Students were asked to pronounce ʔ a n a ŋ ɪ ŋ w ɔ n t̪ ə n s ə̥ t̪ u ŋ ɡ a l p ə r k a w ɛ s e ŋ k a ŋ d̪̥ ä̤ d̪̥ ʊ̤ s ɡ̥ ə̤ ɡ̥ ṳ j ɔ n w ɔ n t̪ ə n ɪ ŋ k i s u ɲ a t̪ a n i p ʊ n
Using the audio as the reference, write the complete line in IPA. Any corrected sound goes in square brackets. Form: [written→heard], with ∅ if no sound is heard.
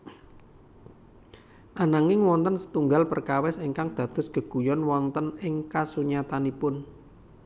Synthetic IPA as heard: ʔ a n a ŋ ɪ ŋ w ɔ n t̪ ə n s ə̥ t̪ u ŋ ɡ a l p ə r k a w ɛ s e ŋ k a ŋ d̪̥ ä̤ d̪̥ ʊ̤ s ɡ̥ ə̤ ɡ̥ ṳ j ɔ n w ɔ n t̪ ə n ɪ ŋ k [i→a] s u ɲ a t̪ a n i p ʊ n